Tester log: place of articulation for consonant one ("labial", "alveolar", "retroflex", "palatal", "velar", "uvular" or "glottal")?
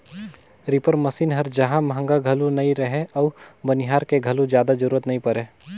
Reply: alveolar